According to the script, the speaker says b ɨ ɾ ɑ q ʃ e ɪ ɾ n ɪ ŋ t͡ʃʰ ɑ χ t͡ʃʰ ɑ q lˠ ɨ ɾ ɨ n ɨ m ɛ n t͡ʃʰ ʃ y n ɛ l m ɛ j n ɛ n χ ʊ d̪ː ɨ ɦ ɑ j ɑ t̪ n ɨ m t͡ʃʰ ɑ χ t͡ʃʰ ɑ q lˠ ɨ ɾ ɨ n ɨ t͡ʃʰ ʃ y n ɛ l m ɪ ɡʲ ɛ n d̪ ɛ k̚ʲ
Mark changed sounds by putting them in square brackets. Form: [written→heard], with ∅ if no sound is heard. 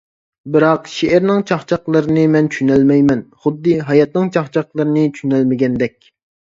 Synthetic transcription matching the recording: b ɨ ɾ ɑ q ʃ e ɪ ɾ n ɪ ŋ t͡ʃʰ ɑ χ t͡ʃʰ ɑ q lˠ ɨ ɾ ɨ n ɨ m ɛ n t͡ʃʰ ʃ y n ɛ l m ɛ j [n→m] ɛ n χ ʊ d̪ː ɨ ɦ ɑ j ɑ t̪ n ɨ [m→ŋ] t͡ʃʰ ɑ χ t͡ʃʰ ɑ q lˠ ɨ ɾ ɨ n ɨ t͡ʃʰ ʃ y n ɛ l m ɪ ɡʲ ɛ n d̪ ɛ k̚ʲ